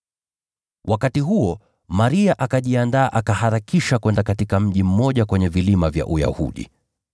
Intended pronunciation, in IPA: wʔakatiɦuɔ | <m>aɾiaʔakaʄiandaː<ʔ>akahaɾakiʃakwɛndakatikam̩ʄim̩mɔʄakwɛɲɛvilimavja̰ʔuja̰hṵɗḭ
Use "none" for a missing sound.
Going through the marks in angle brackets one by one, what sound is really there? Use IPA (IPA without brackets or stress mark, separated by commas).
m, ʔ